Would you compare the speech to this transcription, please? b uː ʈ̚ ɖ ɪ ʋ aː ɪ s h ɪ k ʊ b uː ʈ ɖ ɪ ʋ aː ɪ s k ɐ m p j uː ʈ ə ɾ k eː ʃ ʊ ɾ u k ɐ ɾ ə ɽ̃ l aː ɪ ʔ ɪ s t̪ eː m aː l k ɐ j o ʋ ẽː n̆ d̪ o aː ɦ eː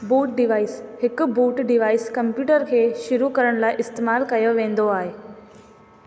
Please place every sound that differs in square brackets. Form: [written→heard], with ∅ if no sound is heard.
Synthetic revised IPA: b uː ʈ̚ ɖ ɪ ʋ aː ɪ s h ɪ k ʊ b uː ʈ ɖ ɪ ʋ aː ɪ s k ɐ m p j uː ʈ ə ɾ [k→kʰ] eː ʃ ʊ ɾ u k ɐ ɾ ə ɽ̃ l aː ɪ ʔ ɪ s t̪ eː m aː l k ɐ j o ʋ ẽː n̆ d̪ o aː ɦ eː